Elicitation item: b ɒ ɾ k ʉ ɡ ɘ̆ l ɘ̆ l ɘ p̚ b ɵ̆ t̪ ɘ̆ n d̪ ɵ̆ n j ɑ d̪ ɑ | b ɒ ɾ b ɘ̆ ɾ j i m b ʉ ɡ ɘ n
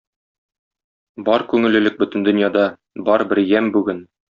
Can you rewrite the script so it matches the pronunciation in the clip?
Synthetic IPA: b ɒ ɾ k ʉ ŋ ɘ̆ l ɘ̆ l ɘ k̚ b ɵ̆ t̪ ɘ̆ n d̪ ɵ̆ n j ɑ d̪ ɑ | b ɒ ɾ b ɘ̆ ɾ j æ m b ʉ ɡ ɘ n

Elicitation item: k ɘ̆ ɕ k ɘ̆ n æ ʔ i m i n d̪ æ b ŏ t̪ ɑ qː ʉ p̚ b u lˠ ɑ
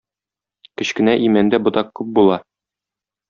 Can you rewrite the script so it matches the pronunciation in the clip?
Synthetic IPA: k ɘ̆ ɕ k ɘ̆ n æ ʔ i m æ n d̪ æ b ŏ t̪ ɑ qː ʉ p̚ b u lˠ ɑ

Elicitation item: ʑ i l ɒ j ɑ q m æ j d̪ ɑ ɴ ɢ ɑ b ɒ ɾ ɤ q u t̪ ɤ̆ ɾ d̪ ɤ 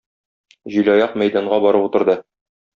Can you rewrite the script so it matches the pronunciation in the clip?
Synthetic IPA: ʑ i l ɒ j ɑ q m æ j d̪ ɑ ɴ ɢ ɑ b ɒ ɾ ɤ p u t̪ ɤ̆ ɾ d̪ ɤ

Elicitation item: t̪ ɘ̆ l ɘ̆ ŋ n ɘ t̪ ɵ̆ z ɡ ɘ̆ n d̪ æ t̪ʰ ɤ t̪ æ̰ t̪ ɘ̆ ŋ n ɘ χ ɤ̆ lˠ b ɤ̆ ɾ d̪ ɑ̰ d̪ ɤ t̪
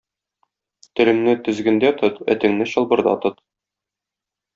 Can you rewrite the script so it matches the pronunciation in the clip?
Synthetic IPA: t̪ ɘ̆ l ɘ̆ ŋ n ɘ t̪ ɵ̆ z ɡ ɘ̆ n d̪ æ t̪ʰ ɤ t̪ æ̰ t̪ ɘ̆ ŋ n ɘ ɕ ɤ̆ lˠ b ɤ̆ ɾ d̪ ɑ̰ t̪ ɤ t̪

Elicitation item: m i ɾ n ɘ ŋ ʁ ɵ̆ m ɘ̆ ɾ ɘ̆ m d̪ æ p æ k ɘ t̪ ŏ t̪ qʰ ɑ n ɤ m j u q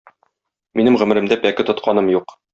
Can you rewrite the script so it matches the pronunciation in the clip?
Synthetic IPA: m i n ɘ m ʁ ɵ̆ m ɘ̆ ɾ ɘ̆ m d̪ æ p æ k ɘ t̪ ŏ t̪ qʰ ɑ n ɤ m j u q

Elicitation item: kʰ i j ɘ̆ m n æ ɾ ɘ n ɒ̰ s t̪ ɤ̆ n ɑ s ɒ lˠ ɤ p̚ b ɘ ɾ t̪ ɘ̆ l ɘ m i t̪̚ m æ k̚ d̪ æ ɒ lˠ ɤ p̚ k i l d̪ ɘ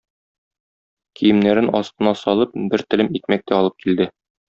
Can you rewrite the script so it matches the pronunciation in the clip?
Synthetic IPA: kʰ i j ɘ̆ m n æ ɾ ɘ n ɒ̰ s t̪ ɤ̆ n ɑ s ɒ lˠ ɤ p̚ b ɘ ɾ t̪ ɘ̆ l ɘ m i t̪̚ m æ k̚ t̪ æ ɒ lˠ ɤ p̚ k i l d̪ ɘ

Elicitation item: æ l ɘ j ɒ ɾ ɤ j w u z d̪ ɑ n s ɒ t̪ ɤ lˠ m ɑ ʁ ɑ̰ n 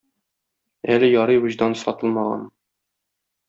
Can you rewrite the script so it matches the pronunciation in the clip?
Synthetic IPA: æ l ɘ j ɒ ɾ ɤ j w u ʑ d̪ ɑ n s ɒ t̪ ɤ lˠ m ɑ ʁ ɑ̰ n

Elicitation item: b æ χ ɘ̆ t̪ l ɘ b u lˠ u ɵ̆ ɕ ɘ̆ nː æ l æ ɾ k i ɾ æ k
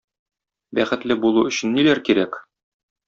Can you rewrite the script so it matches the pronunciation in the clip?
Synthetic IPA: b æ χ ɘ̆ t̪ l ɘ b u lˠ u ɵ̆ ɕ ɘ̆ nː i l æ ɾ k i ɾ æ k

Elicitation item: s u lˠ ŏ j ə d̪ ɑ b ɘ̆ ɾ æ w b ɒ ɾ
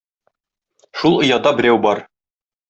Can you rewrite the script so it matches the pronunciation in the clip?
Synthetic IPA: ʃ u lˠ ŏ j ɑ d̪ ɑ b ɘ̆ ɾ æ w b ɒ ɾ

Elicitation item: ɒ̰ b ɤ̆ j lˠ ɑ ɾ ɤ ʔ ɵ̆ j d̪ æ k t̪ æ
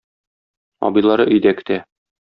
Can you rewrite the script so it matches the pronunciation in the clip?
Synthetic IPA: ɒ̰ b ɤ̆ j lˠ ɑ ɾ ɤ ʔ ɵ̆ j d̪ æ k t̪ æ

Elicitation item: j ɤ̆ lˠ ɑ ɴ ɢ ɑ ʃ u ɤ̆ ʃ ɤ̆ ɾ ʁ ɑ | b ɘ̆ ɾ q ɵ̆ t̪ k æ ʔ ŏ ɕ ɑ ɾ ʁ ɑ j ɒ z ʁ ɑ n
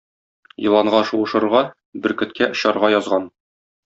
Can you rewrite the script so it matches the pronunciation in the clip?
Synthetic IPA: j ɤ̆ lˠ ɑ ɴ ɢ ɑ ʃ u ɤ̆ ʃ ɤ̆ ɾ ʁ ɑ | b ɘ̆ ɾ k ɵ̆ t̪ k æ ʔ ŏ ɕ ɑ ɾ ʁ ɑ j ɒ z ʁ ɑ n

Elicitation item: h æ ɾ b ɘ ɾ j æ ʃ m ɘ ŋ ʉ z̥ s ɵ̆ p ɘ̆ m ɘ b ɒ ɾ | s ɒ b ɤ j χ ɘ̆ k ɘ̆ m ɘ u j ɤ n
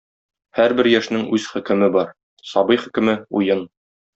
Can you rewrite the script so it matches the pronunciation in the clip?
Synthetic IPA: h æ ɾ b ɘ ɾ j æ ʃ n ɘ ŋ ʉ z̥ χ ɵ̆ k ɘ̆ m ɘ b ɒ ɾ | s ɒ b ɤ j χ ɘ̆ k ɘ̆ m ɘ u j ɤ n

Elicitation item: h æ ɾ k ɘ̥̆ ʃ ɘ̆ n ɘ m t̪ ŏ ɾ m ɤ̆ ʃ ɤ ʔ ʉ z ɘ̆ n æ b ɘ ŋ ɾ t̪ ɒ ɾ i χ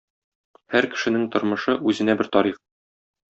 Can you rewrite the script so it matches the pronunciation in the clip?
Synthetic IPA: h æ ɾ k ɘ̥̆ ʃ ɘ̆ n ɘ ŋ t̪ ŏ ɾ m ɤ̆ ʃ ɤ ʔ ʉ z ɘ̆ n æ b ɘ ɾ t̪ ɒ ɾ i χ

